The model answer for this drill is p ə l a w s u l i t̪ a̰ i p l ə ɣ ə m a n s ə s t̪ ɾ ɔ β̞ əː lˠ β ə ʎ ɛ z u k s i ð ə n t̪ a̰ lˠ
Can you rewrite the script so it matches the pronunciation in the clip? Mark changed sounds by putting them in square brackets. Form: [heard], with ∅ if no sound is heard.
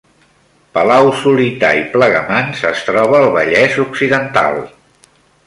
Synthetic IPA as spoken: p ə l a w s u l i t̪ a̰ i p l ə ɣ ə m a n s ə s t̪ ɾ ɔ β̞ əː lˠ β ə ʎ ɛ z u k s i ð ə n t̪ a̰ lˠ